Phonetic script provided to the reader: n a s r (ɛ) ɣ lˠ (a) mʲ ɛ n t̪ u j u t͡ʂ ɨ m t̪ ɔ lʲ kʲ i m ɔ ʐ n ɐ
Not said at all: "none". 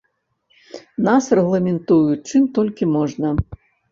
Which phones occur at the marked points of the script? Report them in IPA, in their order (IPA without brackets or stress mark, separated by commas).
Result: ɛ, ɐ